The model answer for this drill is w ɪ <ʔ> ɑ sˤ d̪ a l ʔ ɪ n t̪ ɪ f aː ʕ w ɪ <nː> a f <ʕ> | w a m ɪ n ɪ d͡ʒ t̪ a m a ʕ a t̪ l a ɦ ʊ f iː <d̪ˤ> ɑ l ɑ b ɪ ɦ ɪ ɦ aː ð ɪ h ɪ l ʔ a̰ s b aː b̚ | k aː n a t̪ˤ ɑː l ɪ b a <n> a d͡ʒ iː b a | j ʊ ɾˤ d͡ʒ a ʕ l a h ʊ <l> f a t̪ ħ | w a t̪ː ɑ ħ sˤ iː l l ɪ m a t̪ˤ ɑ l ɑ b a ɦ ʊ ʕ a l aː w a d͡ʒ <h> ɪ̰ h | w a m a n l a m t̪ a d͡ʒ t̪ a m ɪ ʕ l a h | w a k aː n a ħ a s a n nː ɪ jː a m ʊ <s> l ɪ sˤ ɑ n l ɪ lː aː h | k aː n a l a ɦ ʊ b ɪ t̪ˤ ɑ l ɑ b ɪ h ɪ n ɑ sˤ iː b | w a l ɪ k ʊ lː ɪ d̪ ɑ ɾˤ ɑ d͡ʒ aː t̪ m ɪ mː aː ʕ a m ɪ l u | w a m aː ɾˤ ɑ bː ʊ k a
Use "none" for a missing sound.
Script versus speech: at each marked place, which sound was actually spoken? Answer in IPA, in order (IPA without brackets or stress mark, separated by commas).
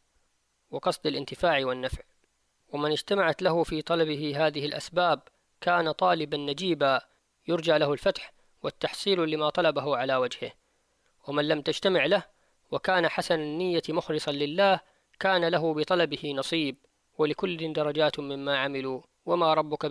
q, nː, ʕ, t̪ˤ, nː, l, h, x